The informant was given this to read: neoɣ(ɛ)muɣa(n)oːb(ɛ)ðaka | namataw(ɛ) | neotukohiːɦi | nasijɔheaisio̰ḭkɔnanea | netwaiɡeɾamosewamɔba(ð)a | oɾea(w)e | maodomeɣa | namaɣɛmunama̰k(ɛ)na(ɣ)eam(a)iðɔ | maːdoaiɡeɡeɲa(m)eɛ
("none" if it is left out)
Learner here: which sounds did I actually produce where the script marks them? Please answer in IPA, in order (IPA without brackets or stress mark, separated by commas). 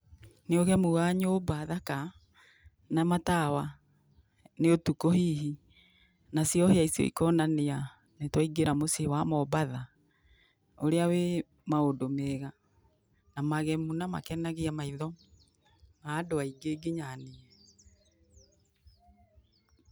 ɛ, ɲ, a, a, ð, w, ɛ, ɣ, a, n